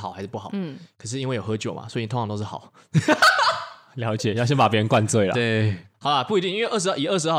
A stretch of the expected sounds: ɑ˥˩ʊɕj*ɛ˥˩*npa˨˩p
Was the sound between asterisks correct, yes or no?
no